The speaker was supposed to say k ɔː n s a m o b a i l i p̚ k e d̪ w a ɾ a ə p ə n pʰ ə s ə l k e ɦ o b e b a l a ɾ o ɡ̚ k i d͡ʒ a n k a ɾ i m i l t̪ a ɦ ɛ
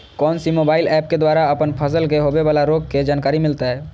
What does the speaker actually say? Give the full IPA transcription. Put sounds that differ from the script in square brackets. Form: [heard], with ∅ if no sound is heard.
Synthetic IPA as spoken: k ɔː n s [i] m o b a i l [ɛ] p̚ k e d̪ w a ɾ a ə p ə n pʰ ə s ə l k e ɦ o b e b a l a ɾ o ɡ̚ k [e] d͡ʒ a n k a ɾ i m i l t̪ a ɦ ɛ